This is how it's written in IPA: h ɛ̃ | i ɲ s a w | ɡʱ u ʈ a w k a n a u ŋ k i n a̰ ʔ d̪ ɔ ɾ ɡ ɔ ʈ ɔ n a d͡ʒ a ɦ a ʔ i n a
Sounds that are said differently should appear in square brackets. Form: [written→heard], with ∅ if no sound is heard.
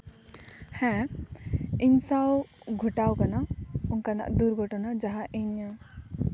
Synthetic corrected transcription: h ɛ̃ | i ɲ s a w | ɡʱ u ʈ a w k a n a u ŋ k [i→a] n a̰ ʔ d̪ [ɔ→u] ɾ ɡ ɔ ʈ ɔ n a d͡ʒ a ɦ a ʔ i [n→ɲ] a